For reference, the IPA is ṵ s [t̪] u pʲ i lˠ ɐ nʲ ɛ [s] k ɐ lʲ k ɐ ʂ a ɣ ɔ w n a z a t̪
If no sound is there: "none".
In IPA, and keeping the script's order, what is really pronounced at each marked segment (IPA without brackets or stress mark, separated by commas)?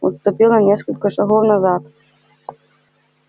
t̪, s